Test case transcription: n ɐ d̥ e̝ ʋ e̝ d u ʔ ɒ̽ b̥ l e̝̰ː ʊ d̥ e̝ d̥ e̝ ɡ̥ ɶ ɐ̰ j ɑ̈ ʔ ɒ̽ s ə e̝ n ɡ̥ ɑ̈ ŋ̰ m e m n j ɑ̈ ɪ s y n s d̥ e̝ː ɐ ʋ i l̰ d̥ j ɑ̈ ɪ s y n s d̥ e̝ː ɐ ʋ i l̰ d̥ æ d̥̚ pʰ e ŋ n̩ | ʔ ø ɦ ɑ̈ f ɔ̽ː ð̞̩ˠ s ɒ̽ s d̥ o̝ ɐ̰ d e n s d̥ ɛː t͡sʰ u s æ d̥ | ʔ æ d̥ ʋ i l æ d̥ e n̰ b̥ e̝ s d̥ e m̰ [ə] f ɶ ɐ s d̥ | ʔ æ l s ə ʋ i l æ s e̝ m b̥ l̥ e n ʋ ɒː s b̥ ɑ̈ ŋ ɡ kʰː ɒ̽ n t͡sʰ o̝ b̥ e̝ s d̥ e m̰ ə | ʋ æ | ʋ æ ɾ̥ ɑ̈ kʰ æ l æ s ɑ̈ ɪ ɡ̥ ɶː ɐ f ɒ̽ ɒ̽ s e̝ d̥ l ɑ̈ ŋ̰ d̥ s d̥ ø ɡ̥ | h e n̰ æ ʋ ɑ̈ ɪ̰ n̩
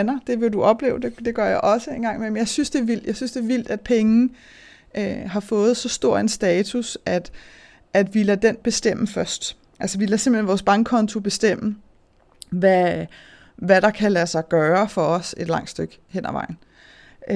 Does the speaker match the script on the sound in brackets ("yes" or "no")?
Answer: yes